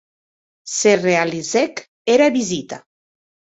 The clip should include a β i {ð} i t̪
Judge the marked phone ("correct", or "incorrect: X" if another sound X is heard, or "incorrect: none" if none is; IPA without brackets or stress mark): incorrect: z